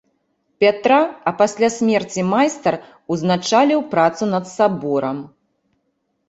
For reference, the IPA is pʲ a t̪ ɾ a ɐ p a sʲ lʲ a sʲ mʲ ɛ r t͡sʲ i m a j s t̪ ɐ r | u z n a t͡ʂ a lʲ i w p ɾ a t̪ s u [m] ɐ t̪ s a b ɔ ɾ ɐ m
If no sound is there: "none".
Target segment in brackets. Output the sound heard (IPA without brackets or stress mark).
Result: n